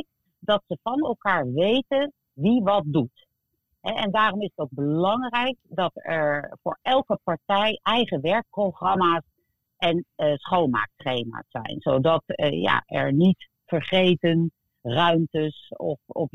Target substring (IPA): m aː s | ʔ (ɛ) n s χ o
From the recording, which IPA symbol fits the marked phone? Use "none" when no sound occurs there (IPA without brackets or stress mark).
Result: ɛ